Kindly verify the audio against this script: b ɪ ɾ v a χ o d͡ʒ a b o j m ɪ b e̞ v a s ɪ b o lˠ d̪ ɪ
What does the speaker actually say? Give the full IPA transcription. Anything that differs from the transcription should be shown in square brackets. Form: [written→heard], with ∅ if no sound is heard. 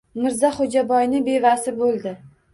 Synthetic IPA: [b→m] ɪ ɾ [v→z] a χ o d͡ʒ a b [o→ɒ] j [m→n] ɪ b e̞ v a s ɪ b o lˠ d̪ ɪ